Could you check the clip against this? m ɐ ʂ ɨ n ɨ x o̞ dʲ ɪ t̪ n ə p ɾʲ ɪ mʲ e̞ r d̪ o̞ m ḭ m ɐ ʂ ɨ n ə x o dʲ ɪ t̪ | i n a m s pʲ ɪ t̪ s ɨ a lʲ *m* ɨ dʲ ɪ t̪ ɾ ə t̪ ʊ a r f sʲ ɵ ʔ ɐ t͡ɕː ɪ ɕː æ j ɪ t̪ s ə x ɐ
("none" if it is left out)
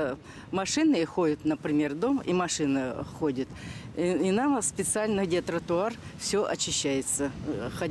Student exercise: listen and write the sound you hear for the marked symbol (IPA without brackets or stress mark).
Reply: n